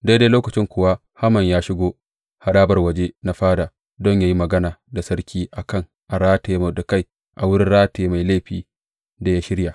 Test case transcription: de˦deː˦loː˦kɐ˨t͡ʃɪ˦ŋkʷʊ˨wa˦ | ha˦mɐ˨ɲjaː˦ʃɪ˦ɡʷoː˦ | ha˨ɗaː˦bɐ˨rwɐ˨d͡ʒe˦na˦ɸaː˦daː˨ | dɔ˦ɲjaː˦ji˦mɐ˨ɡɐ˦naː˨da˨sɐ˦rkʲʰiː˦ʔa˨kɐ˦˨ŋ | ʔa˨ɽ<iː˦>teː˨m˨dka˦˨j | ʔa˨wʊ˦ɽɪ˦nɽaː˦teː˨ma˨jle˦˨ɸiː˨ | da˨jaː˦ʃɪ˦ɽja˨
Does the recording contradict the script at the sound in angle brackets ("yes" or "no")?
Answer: yes